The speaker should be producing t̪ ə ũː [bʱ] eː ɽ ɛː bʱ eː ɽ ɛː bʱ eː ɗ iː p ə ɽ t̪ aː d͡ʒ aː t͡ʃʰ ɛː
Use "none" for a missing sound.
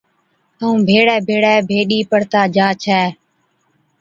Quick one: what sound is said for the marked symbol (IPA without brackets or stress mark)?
bʱ